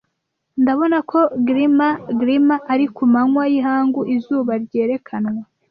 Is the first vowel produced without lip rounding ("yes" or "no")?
yes